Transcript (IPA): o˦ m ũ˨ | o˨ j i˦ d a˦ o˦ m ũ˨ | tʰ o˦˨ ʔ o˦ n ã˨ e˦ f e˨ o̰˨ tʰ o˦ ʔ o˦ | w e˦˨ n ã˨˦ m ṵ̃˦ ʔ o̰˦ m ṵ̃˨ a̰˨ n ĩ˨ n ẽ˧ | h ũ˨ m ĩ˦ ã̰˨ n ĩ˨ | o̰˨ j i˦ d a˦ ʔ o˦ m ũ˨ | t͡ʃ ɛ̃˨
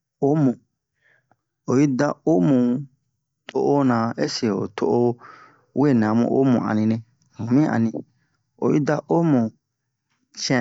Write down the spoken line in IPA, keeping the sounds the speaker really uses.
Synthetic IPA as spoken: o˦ m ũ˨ | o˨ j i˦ d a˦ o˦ m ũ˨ | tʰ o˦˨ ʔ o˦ n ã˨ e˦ s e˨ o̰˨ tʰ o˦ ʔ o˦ | w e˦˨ n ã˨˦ m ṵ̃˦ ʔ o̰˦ m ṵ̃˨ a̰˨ n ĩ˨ n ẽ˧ | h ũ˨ m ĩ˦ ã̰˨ n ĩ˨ | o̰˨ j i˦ d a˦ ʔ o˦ m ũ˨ | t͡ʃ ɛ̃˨